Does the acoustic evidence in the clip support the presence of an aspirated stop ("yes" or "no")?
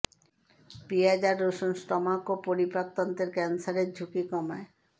no